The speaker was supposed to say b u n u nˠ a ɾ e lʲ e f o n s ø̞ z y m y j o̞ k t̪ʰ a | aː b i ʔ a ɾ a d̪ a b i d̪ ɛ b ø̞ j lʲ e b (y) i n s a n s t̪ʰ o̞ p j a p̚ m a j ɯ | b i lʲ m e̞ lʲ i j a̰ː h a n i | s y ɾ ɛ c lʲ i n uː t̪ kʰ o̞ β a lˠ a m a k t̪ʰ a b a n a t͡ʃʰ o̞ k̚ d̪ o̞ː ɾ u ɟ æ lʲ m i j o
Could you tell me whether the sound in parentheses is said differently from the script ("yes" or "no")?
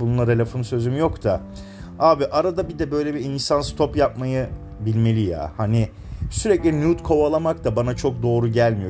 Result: yes